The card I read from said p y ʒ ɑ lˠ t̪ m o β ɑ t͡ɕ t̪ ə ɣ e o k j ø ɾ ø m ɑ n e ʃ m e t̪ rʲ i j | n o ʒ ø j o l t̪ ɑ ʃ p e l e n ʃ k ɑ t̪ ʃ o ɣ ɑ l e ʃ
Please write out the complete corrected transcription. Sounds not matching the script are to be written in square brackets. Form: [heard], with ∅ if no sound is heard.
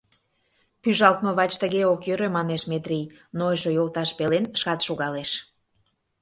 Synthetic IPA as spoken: p y ʒ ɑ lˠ t̪ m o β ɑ t͡ɕ t̪ ə ɣ e o k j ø ɾ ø m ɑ n e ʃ m e t̪ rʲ i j | n o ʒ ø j o l t̪ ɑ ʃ p e l e n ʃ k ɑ t̪ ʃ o ɣ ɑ l e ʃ